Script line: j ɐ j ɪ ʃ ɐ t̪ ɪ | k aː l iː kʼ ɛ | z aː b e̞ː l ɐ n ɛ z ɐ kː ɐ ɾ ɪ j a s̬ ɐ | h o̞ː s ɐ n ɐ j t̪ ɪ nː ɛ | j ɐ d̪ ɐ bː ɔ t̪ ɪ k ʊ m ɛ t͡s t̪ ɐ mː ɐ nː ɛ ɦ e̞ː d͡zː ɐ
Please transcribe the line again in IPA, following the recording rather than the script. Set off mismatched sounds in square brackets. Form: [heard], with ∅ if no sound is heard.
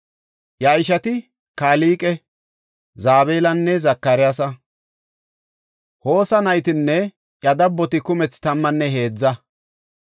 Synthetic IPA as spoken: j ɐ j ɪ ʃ ɐ t̪ ɪ | k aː l iː kʼ ɛ | z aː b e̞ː l ɐ [nː] ɛ z ɐ kː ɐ ɾ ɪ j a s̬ ɐ | h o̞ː s ɐ n ɐ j t̪ ɪ nː ɛ | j ɐ d̪ ɐ bː ɔ t̪ ɪ k ʊ m ɛ t͡s t̪ ɐ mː ɐ nː ɛ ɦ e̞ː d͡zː ɐ